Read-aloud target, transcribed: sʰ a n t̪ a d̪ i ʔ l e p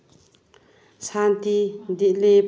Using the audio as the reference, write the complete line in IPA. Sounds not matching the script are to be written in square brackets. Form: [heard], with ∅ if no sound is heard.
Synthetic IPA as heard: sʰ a n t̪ [i] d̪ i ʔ l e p